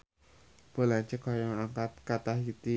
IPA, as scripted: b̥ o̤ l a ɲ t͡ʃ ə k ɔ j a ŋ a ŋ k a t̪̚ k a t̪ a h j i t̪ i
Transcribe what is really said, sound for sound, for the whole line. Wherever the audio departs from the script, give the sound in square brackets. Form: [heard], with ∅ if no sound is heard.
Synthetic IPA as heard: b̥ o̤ l a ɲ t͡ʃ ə k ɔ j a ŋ a ŋ k a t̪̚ k a t̪ a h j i t̪ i